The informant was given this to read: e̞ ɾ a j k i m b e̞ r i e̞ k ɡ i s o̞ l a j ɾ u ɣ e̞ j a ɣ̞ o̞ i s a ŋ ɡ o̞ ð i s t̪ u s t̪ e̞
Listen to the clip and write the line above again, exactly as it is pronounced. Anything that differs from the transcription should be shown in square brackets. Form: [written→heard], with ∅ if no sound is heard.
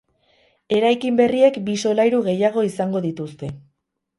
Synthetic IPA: e̞ ɾ a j k i m b e̞ r i e̞ k [ɡ→b] i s o̞ l a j ɾ u ɣ e̞ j a ɣ̞ o̞ i s a ŋ ɡ o̞ ð i [s→∅] t̪ u s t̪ e̞